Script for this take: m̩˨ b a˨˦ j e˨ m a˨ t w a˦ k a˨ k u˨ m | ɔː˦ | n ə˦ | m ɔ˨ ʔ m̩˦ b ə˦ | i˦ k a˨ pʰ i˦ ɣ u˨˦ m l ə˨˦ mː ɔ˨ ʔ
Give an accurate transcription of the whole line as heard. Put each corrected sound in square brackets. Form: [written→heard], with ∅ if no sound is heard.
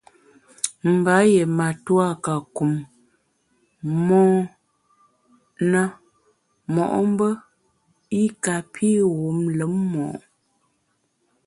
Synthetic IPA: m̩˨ b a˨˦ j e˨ m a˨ t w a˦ k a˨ k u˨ m | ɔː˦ | n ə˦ | m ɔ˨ ʔ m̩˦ b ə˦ | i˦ k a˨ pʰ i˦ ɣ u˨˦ m l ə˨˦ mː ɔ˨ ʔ